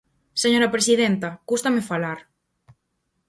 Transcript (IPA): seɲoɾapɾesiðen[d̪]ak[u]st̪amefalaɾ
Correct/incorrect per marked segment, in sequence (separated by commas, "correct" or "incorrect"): incorrect, correct